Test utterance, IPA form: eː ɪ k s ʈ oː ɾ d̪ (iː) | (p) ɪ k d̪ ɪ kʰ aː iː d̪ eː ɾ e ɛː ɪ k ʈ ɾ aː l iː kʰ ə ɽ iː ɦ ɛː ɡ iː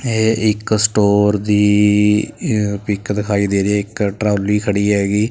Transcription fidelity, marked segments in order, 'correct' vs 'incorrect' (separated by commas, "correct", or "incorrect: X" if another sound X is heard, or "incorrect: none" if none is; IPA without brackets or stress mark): correct, correct